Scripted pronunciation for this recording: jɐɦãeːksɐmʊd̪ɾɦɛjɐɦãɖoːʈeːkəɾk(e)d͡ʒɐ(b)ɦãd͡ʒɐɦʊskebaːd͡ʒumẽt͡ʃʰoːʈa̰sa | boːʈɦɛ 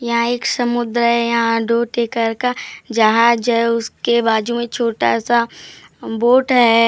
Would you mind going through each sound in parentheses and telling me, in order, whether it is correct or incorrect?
incorrect, incorrect

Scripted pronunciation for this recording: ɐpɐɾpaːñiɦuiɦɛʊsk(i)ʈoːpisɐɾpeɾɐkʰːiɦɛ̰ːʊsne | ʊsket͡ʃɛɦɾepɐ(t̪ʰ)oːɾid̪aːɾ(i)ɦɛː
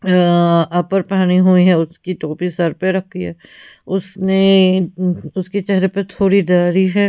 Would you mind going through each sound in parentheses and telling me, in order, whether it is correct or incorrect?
correct, correct, correct

